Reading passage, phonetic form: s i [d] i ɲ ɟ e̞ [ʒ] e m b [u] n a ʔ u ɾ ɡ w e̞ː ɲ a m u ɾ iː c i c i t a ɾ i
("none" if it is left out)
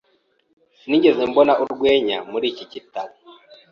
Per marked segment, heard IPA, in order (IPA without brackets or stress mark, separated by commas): n, z, o